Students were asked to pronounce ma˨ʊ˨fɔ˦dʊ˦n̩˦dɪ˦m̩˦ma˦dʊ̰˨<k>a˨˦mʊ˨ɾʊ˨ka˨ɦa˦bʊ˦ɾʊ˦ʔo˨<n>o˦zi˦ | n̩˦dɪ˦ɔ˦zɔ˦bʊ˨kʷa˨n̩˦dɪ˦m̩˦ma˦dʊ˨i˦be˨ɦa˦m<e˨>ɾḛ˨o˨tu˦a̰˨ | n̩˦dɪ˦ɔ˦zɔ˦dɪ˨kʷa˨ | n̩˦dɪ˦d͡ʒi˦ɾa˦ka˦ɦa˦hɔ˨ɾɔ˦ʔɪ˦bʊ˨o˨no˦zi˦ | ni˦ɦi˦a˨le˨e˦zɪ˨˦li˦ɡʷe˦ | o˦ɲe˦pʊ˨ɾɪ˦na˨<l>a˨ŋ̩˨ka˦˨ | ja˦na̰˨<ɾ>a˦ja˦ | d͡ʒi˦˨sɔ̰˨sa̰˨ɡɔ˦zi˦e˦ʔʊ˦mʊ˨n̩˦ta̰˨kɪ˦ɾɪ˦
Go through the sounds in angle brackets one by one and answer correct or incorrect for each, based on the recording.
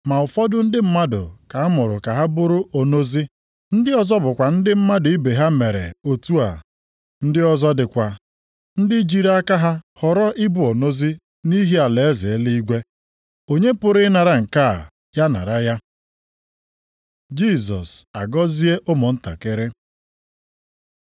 correct, correct, correct, incorrect: ɾ, correct

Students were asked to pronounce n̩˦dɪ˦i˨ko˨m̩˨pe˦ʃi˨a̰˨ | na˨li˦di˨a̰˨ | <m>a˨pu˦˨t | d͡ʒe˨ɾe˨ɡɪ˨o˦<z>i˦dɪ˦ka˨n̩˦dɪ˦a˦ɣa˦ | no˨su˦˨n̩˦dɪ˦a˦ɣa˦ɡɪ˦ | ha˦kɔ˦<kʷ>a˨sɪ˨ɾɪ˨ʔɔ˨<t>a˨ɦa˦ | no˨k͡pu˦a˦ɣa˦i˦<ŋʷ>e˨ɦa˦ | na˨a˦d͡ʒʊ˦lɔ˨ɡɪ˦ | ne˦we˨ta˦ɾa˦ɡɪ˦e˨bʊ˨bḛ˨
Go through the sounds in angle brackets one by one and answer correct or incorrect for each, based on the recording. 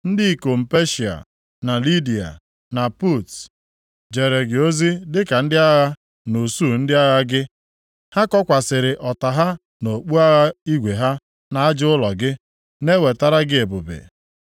incorrect: n, correct, correct, correct, incorrect: ɡʷ

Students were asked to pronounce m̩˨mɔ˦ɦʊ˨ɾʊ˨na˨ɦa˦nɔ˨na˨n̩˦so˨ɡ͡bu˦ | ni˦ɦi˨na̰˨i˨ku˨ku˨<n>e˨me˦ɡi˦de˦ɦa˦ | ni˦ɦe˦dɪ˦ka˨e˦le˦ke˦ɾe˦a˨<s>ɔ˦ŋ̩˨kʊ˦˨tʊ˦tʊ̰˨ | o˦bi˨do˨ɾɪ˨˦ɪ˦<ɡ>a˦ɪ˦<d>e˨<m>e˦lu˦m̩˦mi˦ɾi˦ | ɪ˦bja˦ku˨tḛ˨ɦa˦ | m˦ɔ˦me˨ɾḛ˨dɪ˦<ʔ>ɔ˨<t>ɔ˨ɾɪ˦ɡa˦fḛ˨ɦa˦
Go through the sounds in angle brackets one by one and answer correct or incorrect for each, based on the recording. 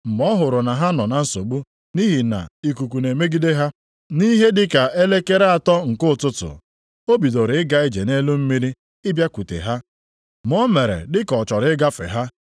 correct, incorrect: t, correct, incorrect: d͡ʒ, incorrect: n, incorrect: k, incorrect: t͡ʃ

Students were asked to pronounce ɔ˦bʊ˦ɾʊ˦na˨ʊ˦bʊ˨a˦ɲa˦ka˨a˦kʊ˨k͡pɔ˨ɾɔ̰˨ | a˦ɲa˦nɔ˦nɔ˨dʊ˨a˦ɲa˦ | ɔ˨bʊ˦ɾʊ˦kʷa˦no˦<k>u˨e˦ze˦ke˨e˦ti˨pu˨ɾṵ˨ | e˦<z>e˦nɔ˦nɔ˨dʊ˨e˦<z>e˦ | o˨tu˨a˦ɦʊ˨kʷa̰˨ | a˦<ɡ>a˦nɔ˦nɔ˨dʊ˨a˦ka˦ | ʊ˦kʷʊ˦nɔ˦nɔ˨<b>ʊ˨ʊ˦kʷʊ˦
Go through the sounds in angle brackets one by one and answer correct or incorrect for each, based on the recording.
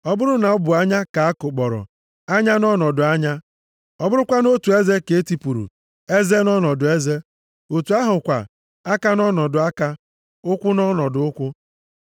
incorrect: t, correct, correct, incorrect: k, incorrect: d

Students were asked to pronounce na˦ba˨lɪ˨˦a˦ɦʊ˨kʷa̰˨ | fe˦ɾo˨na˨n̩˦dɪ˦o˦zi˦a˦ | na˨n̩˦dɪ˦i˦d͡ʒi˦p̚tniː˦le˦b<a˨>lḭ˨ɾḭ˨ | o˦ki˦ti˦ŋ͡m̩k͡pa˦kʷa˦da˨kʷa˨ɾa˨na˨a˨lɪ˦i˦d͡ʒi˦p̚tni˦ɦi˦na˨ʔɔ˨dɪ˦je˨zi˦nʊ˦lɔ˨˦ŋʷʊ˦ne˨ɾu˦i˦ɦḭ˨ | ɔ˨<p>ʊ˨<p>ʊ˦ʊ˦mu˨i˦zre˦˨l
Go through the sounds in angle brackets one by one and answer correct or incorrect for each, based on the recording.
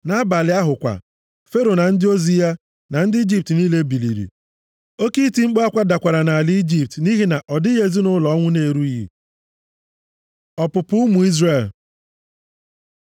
incorrect: i˨, correct, correct

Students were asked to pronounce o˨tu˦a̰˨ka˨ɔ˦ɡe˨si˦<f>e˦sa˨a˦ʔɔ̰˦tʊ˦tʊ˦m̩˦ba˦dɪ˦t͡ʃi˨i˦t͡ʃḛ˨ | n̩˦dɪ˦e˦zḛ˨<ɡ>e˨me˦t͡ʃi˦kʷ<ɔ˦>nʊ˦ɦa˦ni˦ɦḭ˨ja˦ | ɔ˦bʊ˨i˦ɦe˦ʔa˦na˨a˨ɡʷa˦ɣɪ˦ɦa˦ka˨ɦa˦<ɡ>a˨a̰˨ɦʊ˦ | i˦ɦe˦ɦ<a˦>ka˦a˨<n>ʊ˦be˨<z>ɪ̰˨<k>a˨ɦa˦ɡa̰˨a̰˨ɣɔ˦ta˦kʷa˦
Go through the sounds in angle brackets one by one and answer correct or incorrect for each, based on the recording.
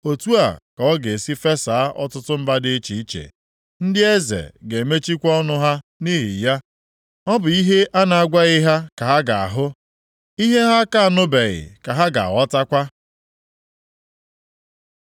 correct, correct, correct, correct, correct, correct, incorrect: ɣ, correct

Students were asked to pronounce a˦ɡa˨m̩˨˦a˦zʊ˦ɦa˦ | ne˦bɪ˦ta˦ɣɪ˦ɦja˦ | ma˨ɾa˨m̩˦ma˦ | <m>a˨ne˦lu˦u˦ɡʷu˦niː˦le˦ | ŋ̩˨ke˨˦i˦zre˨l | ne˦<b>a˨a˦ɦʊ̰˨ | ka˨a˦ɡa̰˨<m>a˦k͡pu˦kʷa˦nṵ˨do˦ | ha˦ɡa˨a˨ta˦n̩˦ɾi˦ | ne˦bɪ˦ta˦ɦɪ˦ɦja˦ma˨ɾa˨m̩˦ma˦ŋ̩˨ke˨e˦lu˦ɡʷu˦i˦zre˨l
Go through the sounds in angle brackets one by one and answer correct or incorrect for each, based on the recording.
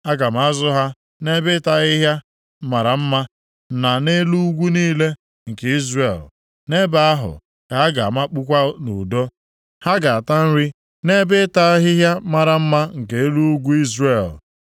incorrect: n, correct, correct

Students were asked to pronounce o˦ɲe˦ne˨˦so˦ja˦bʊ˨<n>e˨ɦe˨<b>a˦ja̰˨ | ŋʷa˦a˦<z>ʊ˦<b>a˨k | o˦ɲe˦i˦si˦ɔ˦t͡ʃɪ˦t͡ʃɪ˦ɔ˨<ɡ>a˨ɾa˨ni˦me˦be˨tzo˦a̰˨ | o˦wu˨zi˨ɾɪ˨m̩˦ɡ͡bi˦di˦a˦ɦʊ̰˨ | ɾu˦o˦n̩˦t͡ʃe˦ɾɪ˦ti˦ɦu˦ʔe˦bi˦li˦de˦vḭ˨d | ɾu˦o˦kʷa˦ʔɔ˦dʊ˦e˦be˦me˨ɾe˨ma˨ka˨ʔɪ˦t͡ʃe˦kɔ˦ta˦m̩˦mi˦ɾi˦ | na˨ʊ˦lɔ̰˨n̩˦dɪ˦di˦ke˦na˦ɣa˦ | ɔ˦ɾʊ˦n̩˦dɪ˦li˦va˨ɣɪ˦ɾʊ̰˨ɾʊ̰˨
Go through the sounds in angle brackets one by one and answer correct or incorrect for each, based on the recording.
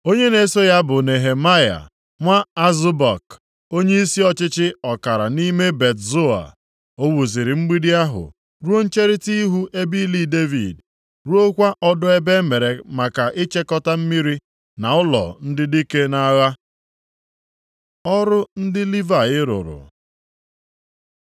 correct, incorrect: m, correct, correct, incorrect: k

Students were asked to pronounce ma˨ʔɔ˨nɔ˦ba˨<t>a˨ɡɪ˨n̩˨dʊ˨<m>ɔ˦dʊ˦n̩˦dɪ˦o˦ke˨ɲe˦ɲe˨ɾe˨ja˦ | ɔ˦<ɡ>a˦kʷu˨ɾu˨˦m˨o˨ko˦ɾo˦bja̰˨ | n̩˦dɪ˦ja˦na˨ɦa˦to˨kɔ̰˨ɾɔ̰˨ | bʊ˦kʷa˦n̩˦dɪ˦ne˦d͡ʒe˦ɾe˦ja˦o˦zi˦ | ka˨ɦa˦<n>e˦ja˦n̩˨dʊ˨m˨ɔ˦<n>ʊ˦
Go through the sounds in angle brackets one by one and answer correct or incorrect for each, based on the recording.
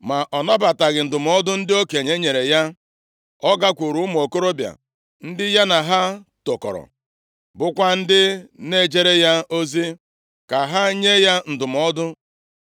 correct, correct, correct, incorrect: ɲ, incorrect: d

